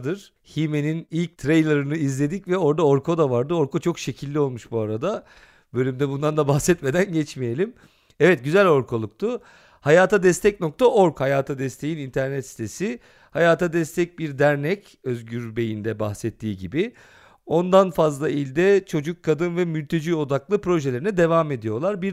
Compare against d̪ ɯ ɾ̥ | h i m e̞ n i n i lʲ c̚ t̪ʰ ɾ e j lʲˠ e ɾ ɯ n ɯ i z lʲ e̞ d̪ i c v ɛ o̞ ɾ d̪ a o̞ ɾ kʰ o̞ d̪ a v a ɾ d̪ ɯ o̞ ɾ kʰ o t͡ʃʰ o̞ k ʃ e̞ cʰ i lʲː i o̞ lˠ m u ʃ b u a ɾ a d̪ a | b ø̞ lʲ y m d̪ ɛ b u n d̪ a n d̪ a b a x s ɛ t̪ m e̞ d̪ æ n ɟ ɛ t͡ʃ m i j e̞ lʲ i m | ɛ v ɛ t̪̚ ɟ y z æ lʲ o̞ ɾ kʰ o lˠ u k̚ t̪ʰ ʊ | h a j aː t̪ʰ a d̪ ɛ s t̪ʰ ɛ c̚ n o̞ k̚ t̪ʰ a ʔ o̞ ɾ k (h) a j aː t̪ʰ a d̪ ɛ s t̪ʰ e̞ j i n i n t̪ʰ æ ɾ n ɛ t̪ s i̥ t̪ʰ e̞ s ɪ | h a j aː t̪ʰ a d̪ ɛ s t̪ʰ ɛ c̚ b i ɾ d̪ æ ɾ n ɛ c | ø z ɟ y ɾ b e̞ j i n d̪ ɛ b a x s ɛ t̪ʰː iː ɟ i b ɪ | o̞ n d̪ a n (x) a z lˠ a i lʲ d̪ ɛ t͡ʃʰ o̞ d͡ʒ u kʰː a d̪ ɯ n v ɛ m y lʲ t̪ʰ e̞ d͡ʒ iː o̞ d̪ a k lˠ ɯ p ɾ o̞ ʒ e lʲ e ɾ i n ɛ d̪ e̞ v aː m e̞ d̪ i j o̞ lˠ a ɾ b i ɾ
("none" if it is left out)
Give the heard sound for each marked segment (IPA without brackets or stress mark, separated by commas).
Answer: h, f